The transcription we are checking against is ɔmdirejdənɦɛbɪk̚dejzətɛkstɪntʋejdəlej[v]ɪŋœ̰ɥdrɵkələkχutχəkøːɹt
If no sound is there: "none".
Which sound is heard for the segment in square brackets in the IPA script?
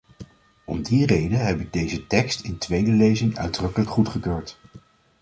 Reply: z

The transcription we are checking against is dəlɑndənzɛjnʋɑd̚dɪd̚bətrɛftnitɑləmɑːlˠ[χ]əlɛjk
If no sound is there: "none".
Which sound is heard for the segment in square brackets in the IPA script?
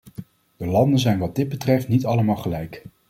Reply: χ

